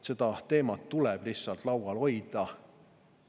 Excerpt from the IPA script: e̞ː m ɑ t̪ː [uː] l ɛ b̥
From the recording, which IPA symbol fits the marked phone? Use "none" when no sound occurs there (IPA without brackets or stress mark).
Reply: u